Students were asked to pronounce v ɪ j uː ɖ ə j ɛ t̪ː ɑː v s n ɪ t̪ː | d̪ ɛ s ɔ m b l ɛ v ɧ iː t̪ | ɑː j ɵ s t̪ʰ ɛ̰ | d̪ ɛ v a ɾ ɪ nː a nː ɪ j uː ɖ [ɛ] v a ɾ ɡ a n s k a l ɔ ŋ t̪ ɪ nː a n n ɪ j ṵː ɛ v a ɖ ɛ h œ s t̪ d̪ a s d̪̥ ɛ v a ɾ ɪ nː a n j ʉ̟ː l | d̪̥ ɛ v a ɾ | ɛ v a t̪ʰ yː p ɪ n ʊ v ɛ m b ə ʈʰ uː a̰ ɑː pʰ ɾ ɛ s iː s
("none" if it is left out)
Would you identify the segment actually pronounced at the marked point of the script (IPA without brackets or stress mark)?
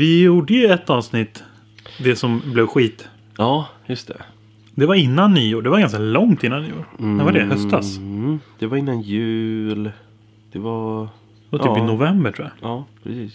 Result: ɛ